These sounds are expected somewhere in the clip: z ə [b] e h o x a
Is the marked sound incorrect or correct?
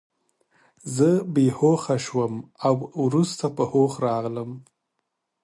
correct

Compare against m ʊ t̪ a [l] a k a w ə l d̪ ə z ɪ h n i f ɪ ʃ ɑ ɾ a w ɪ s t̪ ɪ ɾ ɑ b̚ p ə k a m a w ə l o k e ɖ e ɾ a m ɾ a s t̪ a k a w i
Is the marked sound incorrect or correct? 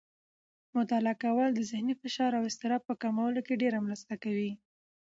correct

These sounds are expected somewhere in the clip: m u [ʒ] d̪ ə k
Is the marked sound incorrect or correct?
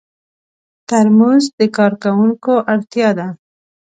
incorrect: z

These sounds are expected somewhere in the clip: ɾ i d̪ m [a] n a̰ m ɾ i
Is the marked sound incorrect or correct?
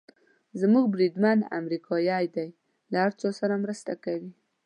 correct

